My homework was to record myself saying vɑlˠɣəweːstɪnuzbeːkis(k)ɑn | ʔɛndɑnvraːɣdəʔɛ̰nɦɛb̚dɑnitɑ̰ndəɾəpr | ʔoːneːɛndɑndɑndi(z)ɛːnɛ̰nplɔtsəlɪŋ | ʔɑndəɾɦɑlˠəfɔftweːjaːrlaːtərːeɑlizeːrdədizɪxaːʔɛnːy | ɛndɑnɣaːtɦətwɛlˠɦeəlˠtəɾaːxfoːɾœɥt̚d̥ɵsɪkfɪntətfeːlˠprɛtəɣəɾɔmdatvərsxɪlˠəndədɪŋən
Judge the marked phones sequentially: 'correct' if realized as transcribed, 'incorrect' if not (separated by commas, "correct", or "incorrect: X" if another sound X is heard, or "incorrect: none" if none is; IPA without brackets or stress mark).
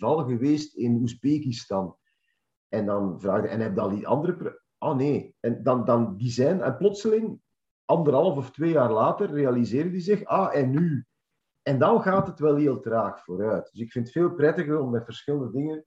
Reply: incorrect: t, correct